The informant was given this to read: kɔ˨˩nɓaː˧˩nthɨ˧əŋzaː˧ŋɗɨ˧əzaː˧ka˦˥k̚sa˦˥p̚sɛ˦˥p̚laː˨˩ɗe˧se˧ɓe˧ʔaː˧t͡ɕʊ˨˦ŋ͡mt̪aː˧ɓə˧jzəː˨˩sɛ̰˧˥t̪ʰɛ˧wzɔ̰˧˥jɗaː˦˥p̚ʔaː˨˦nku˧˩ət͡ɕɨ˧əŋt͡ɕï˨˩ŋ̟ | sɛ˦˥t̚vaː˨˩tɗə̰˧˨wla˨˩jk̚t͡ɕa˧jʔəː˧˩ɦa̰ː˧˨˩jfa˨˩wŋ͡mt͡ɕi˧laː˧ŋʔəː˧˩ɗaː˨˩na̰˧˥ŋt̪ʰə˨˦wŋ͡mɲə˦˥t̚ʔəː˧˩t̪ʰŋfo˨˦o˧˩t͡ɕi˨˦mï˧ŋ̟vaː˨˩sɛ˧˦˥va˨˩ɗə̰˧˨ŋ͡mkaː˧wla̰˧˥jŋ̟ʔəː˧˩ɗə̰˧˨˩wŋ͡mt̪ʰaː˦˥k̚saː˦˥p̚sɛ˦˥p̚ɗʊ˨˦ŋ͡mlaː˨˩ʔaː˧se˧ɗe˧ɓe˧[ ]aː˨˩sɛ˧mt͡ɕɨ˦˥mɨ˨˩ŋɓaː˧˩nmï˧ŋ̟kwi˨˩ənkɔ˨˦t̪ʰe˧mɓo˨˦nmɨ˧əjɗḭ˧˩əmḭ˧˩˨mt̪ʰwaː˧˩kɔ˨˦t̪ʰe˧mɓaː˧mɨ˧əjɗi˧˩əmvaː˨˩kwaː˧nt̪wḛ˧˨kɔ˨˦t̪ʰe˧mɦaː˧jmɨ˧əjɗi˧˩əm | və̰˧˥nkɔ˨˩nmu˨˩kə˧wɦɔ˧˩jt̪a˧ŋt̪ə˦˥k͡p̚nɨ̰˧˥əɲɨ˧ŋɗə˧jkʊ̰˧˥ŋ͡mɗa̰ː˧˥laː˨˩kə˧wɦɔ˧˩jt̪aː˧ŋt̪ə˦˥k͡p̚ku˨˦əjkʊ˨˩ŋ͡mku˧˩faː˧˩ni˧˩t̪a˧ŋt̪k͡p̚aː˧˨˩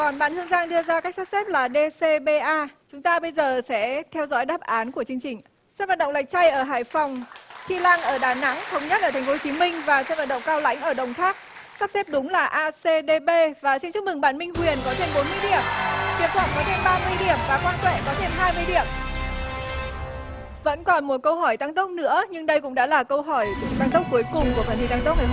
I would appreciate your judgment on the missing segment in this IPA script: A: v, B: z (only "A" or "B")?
A